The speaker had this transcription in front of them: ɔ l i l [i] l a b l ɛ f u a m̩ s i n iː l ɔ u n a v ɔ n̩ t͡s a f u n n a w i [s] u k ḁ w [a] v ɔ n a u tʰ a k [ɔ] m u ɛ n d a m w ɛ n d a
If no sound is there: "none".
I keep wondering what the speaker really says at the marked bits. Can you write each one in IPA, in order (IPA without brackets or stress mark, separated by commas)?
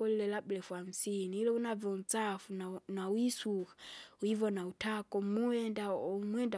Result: ɛ, s, i, ɔ